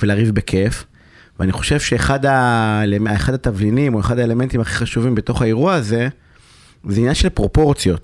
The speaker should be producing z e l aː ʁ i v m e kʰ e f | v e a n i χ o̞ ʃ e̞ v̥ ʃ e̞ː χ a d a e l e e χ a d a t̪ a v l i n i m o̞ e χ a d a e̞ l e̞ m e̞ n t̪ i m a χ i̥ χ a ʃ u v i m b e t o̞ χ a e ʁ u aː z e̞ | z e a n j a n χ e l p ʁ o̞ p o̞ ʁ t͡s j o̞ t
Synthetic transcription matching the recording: v e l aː ʁ i v b e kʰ e f | v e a n i χ o̞ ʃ e̞ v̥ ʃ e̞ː χ a d a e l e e χ a d a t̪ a v l i n i m o̞ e χ a d a e̞ l e̞ m e̞ n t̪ i m a χ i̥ χ a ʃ u v i m b e t o̞ χ a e ʁ u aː z e̞ | z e i n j a n ʃ e l p ʁ o̞ p o̞ ʁ t͡s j o̞ t